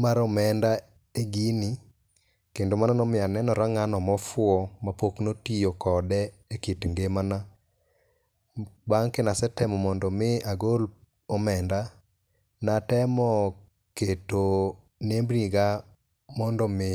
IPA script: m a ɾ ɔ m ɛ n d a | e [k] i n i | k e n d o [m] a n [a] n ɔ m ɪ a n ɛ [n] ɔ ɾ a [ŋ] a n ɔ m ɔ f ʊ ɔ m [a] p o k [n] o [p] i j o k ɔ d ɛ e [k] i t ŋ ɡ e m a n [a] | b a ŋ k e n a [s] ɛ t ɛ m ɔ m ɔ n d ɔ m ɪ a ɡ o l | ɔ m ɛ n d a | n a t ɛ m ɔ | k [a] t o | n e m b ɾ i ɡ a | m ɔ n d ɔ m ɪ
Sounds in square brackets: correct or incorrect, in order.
incorrect: ɡ, correct, correct, correct, correct, correct, correct, incorrect: t, correct, correct, correct, incorrect: e

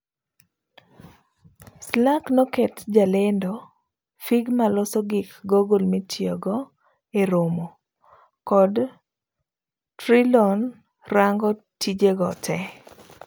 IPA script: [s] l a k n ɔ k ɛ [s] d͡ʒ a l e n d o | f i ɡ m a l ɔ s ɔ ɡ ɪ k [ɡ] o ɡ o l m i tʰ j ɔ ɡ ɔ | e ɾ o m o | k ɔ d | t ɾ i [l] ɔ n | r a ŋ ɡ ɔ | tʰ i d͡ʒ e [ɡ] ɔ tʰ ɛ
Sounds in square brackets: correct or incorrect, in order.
correct, incorrect: t, correct, correct, correct

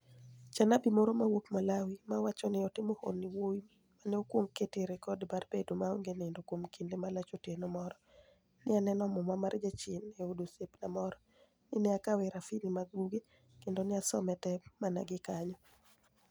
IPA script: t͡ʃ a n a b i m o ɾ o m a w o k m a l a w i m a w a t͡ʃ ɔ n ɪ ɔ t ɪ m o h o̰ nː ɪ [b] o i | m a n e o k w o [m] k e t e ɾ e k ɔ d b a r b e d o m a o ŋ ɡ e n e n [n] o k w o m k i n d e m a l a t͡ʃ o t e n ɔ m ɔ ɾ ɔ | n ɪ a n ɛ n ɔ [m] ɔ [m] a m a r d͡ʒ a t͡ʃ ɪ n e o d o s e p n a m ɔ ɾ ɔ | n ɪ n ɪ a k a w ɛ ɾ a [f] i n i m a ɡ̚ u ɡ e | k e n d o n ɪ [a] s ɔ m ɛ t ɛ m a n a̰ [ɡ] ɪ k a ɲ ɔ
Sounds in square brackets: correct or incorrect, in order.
incorrect: w, incorrect: ŋ, incorrect: d, correct, correct, correct, correct, correct

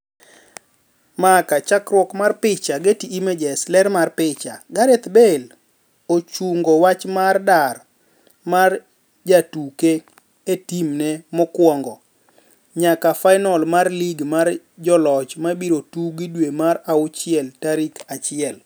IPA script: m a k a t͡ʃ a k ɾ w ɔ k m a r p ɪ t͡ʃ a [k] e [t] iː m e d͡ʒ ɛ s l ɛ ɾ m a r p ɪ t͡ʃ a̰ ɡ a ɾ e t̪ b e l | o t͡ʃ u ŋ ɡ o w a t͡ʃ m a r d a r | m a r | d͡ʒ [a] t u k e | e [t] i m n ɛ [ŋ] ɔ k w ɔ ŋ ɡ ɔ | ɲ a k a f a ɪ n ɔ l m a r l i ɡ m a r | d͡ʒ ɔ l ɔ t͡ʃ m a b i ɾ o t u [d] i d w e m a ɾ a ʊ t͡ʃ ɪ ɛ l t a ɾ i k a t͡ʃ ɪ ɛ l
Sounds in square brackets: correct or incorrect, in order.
incorrect: ɡ, correct, correct, correct, incorrect: m, incorrect: ɡ

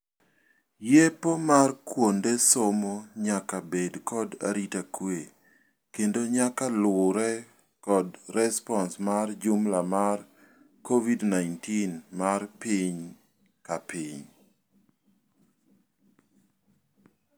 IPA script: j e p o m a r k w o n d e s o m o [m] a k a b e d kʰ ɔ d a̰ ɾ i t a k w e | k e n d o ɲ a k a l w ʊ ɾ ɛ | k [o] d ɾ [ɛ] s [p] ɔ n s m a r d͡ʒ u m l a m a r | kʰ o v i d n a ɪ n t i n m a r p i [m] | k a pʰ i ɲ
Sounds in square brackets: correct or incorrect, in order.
incorrect: ɲ, incorrect: ɔ, correct, correct, incorrect: ɲ

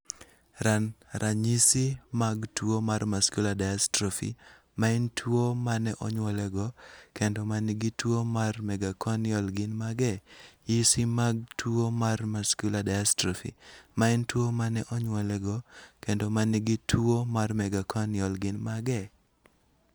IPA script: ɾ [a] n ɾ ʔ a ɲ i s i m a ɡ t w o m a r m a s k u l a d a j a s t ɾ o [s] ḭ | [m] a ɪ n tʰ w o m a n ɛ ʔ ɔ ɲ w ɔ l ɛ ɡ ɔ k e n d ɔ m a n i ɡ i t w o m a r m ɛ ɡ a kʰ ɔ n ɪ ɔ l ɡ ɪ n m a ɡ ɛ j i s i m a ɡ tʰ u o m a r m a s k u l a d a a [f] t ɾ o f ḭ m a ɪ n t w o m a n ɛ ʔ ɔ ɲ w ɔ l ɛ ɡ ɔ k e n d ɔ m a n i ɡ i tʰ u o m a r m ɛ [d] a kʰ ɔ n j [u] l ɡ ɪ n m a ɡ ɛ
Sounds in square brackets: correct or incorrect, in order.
correct, incorrect: f, correct, incorrect: s, incorrect: ɡ, incorrect: ɔ

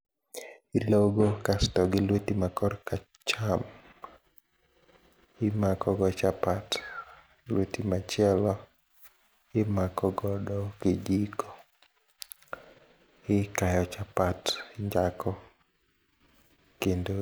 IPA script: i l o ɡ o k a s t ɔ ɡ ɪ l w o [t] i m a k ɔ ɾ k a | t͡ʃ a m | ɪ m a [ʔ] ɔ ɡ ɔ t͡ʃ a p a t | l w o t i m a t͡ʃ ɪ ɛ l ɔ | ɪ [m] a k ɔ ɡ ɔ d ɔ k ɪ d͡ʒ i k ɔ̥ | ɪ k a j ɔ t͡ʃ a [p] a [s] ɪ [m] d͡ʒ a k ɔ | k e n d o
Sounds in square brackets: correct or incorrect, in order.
correct, incorrect: k, correct, correct, incorrect: t, incorrect: ɲ

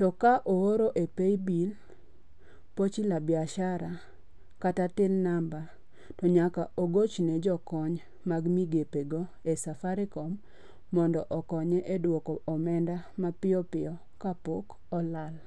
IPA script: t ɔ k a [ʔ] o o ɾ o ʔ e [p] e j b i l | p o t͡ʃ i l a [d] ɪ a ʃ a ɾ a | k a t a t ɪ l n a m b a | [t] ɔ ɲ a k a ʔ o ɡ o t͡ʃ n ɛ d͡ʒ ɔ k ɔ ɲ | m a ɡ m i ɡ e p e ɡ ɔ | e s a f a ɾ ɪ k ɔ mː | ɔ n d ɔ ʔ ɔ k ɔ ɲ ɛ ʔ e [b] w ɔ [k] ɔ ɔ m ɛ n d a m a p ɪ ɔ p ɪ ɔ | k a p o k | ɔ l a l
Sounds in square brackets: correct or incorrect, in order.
correct, correct, incorrect: b, correct, incorrect: d, correct

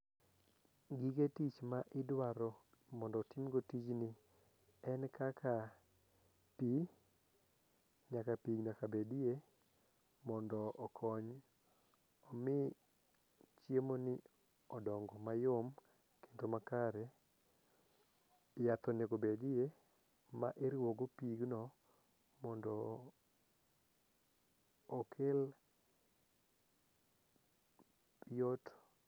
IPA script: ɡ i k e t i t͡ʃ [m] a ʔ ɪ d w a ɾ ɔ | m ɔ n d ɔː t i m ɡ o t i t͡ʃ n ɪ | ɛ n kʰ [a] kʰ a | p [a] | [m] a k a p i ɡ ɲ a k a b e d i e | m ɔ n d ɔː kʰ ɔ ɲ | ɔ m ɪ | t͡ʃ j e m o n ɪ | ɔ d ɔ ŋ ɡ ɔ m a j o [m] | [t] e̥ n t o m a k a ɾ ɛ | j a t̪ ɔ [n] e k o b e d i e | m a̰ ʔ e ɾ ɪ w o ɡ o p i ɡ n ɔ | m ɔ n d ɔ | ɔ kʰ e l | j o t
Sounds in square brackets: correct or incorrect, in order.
correct, correct, incorrect: i, incorrect: ɲ, correct, incorrect: k, correct

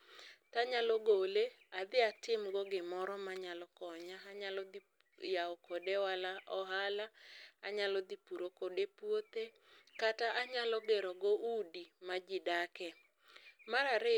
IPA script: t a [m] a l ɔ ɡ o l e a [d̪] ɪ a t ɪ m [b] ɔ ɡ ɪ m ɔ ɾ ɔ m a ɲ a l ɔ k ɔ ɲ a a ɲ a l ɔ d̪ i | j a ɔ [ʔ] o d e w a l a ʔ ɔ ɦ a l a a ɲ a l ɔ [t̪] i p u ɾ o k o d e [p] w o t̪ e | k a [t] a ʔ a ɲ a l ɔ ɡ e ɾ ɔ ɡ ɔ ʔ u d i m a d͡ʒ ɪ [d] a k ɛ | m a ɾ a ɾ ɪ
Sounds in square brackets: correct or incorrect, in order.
incorrect: ɲ, correct, incorrect: ɡ, incorrect: k, incorrect: d̪, correct, correct, correct

